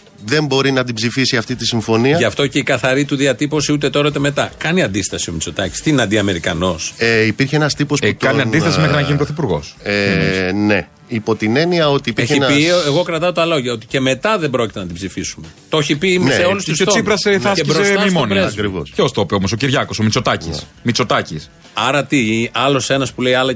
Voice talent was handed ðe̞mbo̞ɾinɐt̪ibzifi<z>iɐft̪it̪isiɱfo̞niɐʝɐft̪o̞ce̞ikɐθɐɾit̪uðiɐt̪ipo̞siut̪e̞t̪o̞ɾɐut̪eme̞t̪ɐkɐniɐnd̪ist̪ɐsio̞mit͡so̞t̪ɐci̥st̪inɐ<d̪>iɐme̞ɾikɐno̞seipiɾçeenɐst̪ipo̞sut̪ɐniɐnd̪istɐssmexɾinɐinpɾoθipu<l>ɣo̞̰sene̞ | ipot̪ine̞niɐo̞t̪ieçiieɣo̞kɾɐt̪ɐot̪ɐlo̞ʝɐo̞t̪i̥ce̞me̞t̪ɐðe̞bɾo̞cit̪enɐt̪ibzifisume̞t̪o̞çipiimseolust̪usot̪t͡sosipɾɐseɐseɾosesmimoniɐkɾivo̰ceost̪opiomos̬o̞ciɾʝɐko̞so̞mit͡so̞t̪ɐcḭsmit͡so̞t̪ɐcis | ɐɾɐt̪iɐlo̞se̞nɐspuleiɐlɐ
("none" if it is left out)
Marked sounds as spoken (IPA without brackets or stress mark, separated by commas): s, d̪, ɾ